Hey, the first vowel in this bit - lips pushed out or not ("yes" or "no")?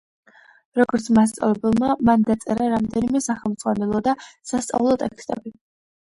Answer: yes